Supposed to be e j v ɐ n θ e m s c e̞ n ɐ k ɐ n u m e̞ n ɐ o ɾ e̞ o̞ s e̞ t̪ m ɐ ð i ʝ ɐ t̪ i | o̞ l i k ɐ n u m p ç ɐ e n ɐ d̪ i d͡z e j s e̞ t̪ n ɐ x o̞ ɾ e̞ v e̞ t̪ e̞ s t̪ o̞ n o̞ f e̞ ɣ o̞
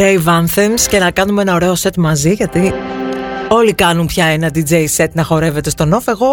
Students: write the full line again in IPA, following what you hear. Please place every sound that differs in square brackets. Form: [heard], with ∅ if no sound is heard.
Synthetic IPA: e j v ɐ n θ e m s c e̞ n ɐ k ɐ n u m e̞ n ɐ o ɾ e̞ o̞ s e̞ t̪ m ɐ [z] i ʝ ɐ t̪ i | o̞ l i k ɐ n u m p ç ɐ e n ɐ d̪ i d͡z e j s e̞ t̪ n ɐ x o̞ ɾ e̞ v e̞ t̪ e̞ s t̪ o̞ n o̞ f e̞ ɣ o̞